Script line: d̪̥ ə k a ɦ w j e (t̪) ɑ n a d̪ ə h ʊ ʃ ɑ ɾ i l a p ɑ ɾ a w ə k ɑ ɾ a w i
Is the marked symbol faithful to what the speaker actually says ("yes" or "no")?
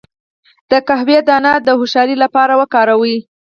no